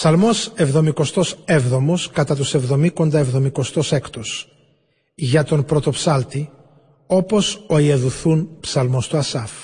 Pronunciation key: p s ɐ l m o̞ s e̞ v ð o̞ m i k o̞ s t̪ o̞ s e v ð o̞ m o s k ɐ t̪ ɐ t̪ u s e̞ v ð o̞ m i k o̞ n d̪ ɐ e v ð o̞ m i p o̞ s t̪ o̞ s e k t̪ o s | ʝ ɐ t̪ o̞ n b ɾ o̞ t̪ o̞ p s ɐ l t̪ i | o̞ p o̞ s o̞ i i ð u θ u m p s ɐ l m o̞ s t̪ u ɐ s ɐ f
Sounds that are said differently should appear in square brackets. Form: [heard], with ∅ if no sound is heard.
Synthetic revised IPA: p s ɐ l m o̞ s e̞ v ð o̞ m i k o̞ s t̪ o̞ s e v ð o̞ m o s k ɐ t̪ ɐ t̪ u s e̞ v ð o̞ m i k o̞ n d̪ ɐ e v ð o̞ m i [k] o̞ s t̪ o̞ s e k t̪ o s | ʝ ɐ t̪ o̞ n [p] ɾ o̞ t̪ o̞ p s ɐ l t̪ i | o̞ p o̞ s o̞ i [e] ð u θ u [n] p s ɐ l m o̞ s t̪ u ɐ s ɐ f